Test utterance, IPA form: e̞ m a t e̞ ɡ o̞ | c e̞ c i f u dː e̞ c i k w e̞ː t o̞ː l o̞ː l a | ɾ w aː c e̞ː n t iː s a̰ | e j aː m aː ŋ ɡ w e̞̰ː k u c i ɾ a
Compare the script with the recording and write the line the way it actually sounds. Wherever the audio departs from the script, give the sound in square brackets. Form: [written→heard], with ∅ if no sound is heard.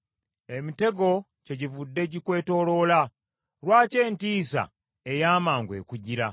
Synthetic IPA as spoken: e̞ m [a→i] t e̞ ɡ o̞ | c e̞ [c→ɟ] i [f→v] u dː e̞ [c→ɟ] i k w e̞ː t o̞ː l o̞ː l a | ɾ w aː c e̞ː n t iː s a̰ | e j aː m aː ŋ ɡ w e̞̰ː k u [c→ɟ] i ɾ a

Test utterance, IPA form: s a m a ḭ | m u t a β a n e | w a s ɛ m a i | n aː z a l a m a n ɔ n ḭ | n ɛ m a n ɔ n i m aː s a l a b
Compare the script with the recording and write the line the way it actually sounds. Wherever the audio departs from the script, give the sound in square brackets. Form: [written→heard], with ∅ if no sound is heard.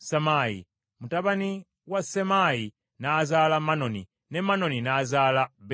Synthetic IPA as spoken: s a m a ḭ | m u t a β a n [e→i] | w a s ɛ m a i | n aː z a l a m a n ɔ n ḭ | n ɛ m a n ɔ n i [m→n] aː [s→z] a l a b

